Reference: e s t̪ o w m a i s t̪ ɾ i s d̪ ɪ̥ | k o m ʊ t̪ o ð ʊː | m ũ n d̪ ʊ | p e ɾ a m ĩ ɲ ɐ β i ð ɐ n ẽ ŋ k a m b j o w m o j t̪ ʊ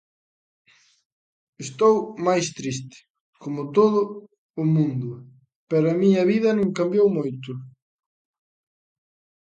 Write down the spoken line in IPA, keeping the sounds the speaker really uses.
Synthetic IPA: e s t̪ o w m a j s t̪ ɾ i s t̪ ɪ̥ | k o m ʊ t̪ o ð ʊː | m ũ n d̪ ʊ | p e ɾ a m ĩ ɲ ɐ β i ð ɐ n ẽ ŋ k a m b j o w m o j t̪ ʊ